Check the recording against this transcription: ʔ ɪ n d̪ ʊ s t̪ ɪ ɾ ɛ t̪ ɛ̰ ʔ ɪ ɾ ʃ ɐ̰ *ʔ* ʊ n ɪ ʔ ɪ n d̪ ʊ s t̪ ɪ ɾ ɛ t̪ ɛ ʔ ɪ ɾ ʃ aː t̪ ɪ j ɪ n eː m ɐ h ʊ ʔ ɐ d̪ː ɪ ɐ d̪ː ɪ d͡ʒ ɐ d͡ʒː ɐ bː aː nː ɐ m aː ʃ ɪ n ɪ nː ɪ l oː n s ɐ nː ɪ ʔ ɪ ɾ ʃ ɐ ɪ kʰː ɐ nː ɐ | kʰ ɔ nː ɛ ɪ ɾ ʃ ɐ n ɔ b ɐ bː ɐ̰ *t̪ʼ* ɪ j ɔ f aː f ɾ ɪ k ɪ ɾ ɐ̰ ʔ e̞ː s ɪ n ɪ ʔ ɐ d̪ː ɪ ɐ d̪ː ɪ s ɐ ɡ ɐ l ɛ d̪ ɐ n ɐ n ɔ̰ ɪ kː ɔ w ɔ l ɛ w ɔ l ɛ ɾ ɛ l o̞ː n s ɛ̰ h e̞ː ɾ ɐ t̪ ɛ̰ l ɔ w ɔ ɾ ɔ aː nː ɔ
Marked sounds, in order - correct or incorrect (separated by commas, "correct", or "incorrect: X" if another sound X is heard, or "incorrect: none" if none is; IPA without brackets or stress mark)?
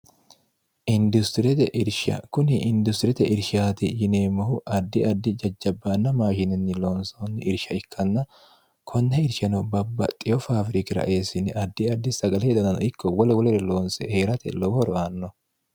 incorrect: k, correct